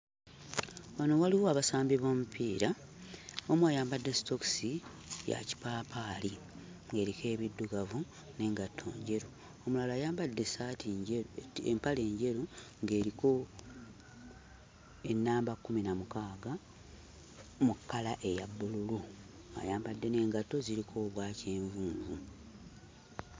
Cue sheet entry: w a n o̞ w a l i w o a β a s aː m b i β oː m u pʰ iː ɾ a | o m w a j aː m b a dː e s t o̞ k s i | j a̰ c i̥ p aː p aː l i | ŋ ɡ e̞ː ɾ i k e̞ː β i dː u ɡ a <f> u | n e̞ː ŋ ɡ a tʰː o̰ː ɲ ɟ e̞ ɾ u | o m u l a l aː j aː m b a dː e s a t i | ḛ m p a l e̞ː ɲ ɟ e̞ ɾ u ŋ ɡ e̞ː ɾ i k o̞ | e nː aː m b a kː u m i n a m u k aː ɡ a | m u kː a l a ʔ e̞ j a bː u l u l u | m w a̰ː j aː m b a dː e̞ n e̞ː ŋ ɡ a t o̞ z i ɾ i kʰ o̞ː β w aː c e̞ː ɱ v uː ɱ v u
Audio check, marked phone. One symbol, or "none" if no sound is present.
v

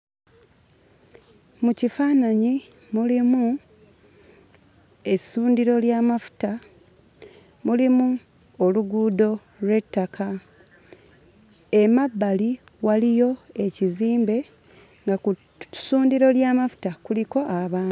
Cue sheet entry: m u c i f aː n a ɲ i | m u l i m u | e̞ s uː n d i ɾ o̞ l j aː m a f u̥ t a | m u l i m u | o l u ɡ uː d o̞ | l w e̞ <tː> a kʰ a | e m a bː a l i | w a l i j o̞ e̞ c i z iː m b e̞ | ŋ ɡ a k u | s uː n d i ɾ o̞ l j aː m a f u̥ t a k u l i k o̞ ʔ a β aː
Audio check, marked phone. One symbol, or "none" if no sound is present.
tː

